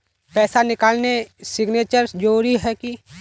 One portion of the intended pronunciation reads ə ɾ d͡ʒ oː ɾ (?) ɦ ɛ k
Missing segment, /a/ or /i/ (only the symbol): i